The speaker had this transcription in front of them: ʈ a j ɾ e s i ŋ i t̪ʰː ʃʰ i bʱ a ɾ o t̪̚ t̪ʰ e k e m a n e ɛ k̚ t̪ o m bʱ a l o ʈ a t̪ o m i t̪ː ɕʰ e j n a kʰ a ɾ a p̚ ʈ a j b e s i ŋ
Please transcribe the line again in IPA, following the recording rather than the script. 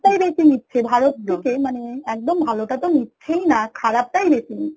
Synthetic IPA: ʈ a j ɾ e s i ŋ i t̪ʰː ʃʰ e bʱ a ɾ o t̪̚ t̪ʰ e k e m a n e ɛ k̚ d̪ o m bʱ a l o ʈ a t̪ o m i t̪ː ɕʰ e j n a kʰ a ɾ a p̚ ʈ a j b e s i ŋ

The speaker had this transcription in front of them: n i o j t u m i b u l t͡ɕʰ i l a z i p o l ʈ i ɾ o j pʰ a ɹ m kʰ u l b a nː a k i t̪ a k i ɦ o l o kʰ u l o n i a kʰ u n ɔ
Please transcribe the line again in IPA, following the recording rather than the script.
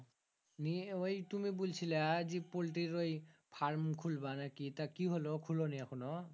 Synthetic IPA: n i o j t u m i b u l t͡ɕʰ i l a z i p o l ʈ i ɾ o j pʰ a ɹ m kʰ u l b a n a k i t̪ a k i ɦ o l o kʰ u l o n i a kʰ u n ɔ

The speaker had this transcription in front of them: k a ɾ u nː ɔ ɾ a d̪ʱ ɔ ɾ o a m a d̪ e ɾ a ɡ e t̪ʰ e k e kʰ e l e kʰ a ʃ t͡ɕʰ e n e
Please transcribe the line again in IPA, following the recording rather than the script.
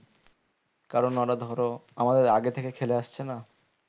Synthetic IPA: k a ɾ o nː ɔ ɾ a d̪ʱ ɔ ɾ o a m a d̪ e ɾ a ɡ e t̪ʰ e k e kʰ e l e a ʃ t͡ɕʰ e n a

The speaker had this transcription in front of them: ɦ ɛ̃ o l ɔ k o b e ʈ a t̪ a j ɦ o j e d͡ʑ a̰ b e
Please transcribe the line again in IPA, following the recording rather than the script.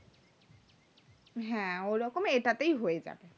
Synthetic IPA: ɦ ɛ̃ o ɾ ɔ k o m e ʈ a t̪ e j ɦ o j e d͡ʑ a̰ b e

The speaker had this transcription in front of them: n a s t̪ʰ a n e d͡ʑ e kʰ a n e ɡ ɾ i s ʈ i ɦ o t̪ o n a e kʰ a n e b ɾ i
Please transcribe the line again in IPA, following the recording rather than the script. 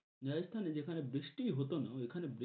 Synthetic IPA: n a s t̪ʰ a n e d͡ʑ e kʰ a n e b ɾ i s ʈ i ɦ o t̪ o n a e kʰ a n e b ɾ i

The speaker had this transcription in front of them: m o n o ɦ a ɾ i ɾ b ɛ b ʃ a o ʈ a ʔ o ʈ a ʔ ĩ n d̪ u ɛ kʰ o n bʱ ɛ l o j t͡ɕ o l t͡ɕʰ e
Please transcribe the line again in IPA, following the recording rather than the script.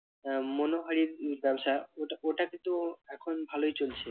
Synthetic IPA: m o n o ɦ a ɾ i ɾ b ɛ b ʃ a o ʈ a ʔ o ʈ a k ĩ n t̪ u ɛ kʰ o n bʱ a l o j t͡ɕ o l t͡ɕʰ e

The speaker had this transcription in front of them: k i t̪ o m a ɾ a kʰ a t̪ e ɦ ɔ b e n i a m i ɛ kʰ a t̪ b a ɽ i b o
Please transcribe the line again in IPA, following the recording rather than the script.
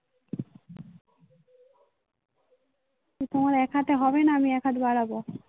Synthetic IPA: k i t̪ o m a ɾ ɛ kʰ a t̪ e ɦ ɔ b e n a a m i ɛ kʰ a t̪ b a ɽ a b o

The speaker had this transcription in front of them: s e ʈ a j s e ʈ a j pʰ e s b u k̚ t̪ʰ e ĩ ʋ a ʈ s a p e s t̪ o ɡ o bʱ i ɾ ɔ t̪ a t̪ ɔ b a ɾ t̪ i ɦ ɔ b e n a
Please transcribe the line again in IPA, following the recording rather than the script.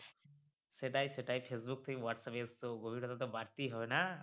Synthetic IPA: s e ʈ a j s e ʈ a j pʰ e s b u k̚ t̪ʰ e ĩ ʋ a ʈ s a p e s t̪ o ɡ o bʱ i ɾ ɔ t̪ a t̪ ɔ b a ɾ t̪ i ɦ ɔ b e n a

